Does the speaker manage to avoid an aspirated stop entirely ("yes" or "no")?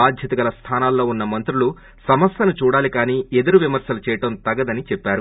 no